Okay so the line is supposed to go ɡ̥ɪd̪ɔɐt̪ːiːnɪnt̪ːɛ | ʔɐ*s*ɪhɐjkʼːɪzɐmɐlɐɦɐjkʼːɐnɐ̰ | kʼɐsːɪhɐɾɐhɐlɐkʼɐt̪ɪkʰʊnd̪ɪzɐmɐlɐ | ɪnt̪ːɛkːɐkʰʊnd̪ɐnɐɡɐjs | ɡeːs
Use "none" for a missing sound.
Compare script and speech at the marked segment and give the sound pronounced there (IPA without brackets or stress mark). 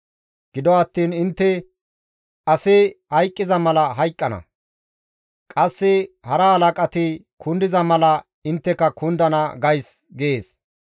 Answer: s